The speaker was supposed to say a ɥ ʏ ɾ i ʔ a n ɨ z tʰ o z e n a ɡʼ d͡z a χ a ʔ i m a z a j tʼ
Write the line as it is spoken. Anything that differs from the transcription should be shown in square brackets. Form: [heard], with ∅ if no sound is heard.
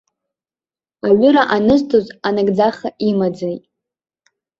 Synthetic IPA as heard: a ɥ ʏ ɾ [a] ʔ a n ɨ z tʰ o z [a] n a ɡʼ d͡z a χ a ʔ i m a [d͡z] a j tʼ